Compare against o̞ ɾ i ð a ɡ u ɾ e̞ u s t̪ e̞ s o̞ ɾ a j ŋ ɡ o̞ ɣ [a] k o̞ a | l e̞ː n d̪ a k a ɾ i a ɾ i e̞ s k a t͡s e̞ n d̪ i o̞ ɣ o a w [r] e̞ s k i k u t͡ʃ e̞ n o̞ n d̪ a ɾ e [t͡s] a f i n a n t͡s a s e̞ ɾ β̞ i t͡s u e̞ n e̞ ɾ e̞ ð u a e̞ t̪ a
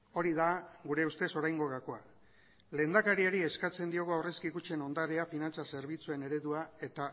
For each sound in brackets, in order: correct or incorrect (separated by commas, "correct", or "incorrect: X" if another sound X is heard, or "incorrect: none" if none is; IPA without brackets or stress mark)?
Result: correct, correct, incorrect: none